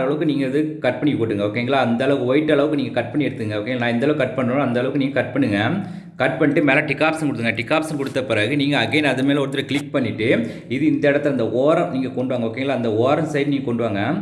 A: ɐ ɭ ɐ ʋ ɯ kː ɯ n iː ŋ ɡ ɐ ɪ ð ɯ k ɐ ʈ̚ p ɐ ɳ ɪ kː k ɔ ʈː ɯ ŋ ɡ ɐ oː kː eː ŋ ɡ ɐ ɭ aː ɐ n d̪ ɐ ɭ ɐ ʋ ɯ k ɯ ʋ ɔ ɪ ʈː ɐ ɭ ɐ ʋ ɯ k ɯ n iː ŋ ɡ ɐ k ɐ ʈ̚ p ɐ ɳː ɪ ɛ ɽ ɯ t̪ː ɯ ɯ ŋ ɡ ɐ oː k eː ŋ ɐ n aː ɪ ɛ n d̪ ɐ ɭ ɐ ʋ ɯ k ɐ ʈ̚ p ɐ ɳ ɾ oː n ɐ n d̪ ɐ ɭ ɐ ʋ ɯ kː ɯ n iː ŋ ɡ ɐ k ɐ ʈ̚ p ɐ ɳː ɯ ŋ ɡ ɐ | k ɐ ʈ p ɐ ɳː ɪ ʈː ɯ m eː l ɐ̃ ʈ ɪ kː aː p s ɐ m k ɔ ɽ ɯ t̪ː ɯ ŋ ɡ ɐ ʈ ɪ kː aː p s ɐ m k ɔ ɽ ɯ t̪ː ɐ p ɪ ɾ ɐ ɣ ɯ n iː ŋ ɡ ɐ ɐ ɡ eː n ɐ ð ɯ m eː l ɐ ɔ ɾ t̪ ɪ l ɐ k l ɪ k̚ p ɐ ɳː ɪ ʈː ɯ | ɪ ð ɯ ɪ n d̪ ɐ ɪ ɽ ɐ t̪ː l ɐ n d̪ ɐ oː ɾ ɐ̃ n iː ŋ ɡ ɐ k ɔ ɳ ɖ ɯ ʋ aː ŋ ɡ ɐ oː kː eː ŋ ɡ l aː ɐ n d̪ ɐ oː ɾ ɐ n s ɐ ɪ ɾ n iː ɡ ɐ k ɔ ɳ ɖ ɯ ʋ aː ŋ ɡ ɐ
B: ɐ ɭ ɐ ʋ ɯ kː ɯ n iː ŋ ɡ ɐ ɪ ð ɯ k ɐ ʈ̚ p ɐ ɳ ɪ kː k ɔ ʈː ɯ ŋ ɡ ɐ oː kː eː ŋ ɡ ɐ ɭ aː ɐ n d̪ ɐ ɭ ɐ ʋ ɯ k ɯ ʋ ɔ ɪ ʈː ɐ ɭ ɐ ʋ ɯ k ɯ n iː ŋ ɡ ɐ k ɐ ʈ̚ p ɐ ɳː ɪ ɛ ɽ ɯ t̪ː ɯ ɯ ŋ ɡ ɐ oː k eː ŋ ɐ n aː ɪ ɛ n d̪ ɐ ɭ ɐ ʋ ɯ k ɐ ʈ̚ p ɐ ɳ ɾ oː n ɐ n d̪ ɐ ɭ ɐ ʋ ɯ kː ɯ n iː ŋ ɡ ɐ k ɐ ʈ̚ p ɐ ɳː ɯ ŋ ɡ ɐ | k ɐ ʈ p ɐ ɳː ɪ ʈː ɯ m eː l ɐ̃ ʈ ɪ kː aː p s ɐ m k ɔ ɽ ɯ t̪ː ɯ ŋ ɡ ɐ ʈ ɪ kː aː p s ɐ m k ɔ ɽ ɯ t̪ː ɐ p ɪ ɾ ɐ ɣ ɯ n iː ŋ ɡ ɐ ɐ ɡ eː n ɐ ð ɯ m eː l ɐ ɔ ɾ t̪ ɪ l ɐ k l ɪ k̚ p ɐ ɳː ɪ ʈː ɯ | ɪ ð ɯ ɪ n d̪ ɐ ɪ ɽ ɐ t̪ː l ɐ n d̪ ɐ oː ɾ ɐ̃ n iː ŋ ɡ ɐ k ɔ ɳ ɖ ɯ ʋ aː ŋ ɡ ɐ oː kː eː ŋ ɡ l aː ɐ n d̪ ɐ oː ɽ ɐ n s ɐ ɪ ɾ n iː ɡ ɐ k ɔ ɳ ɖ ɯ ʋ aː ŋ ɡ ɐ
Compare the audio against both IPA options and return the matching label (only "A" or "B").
A